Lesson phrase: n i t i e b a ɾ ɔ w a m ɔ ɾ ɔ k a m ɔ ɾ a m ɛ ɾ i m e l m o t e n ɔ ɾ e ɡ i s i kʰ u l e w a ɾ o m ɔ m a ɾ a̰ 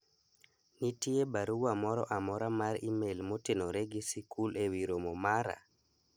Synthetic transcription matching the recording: n i t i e b a ɾ u w a m ɔ ɾ ɔ ʔ a m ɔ ɾ a m a ɾ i m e l m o t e n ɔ ɾ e ɡ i s i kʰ u l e w i ɾ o m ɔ m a ɾ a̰